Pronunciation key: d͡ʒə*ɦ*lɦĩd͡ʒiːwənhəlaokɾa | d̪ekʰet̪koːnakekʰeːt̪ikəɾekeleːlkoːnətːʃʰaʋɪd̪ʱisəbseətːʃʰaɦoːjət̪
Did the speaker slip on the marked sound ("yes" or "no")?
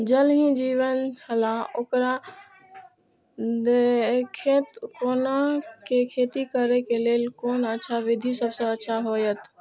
yes